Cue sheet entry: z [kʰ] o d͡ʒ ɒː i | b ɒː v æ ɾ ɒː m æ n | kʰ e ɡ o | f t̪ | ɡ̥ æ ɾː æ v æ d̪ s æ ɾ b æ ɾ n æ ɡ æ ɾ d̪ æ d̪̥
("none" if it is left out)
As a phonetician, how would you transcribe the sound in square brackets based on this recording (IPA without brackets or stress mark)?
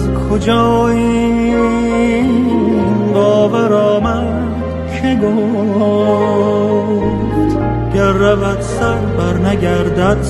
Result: kʰ